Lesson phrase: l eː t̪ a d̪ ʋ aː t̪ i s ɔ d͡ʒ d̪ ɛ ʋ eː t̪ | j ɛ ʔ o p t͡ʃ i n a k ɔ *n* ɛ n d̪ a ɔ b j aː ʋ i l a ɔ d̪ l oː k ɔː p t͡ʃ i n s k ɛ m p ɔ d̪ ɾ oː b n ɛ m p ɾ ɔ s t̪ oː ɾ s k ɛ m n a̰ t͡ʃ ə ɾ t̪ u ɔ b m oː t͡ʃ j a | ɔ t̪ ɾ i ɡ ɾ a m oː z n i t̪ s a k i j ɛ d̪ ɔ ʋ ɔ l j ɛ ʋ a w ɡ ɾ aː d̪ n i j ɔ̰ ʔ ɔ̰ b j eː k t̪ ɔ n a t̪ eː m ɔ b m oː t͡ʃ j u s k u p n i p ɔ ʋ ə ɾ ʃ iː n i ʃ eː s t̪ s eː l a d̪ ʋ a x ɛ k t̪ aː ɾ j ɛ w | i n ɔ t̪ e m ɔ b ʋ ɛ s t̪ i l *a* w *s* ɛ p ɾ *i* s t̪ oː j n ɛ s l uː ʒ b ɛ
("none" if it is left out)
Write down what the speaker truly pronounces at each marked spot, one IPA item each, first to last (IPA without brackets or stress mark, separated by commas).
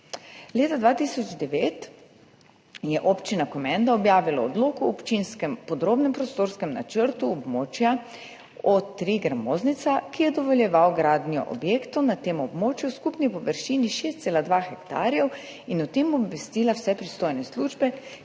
m, a, s, i